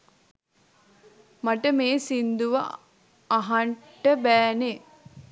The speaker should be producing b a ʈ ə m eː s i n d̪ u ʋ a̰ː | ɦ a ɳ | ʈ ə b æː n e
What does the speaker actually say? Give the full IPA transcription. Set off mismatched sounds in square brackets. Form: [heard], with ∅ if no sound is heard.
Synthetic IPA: [m] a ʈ ə m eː s i n d̪ u ʋ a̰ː | ɦ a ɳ | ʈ ə b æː n e